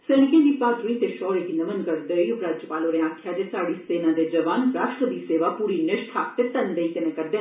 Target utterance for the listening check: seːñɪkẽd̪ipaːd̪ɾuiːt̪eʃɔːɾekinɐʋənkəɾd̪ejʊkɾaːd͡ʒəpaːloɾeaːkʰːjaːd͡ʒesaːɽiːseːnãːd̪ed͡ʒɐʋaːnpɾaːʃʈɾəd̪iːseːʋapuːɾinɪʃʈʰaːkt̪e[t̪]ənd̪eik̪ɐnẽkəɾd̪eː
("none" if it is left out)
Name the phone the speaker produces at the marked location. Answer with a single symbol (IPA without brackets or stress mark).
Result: t̪